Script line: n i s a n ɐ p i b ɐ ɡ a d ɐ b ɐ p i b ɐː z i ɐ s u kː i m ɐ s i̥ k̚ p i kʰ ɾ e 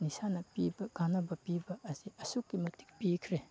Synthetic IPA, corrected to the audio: n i s a n ɐ p i b ɐ ɡ a n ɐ b ɐ p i b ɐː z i ɐ s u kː i m ɐ t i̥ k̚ p i kʰ ɾ e